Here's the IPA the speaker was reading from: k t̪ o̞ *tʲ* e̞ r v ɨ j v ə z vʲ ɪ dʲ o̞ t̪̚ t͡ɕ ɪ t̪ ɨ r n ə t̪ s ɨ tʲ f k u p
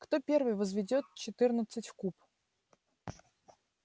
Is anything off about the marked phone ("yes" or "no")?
yes